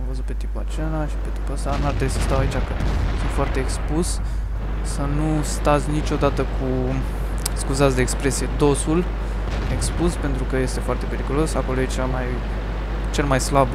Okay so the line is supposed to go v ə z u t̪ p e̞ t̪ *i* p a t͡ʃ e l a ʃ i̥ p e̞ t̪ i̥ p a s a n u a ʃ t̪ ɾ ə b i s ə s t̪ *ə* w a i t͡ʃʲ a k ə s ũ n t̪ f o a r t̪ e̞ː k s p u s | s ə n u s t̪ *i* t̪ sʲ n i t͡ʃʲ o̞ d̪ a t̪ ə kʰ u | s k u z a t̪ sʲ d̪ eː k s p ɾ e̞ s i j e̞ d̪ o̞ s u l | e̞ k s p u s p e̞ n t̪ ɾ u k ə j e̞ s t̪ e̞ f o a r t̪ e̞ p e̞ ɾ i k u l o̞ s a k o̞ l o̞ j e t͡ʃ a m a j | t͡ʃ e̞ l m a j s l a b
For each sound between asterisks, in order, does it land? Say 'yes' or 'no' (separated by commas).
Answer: yes, no, no